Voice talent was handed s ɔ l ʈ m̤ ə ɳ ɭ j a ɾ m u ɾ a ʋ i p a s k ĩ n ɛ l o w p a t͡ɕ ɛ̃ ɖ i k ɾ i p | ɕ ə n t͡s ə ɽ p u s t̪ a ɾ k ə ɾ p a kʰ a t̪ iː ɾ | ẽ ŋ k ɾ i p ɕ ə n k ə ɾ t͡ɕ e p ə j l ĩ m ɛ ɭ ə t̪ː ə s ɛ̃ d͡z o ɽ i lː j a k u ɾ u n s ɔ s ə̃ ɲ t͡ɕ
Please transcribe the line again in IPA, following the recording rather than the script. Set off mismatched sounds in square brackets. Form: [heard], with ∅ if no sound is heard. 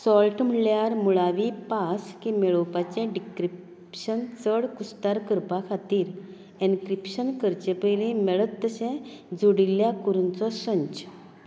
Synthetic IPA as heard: s ɔ l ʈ m̤ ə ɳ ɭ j a ɾ m u [ɭ] a ʋ i p a s k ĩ [m] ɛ [ɭ] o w p a t͡ɕ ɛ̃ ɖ i k ɾ i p | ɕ ə n t͡s ə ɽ [k] u s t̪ a ɾ k ə ɾ p a kʰ a t̪ iː ɾ | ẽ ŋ k ɾ i p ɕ ə n k ə ɾ t͡ɕ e p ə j l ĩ m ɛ ɭ ə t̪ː ə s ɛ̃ d͡z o ɽ i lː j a k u ɾ u n [t͡s] ɔ s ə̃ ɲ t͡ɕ